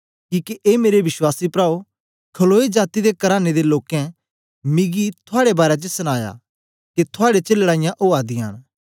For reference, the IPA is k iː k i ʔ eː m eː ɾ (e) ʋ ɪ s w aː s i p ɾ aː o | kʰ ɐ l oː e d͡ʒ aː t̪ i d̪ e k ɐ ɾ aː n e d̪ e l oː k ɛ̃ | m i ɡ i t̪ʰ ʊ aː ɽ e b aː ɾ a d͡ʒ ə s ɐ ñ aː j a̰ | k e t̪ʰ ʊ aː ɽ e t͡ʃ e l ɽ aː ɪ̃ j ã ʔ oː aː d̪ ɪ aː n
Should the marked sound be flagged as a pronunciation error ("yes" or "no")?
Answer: no